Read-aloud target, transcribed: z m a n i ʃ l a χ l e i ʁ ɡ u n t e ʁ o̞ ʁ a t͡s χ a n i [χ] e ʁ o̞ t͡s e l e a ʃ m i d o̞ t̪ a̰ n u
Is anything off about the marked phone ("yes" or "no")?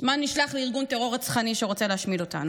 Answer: yes